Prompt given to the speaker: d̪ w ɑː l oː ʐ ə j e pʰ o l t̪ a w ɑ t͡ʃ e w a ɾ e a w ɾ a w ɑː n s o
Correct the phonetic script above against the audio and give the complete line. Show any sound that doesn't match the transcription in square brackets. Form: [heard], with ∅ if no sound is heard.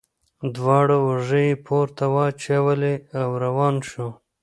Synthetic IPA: d̪ w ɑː [ɽ] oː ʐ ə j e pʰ o [ɾ] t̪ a w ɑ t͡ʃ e w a [l] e a w ɾ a w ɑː n [ʃ] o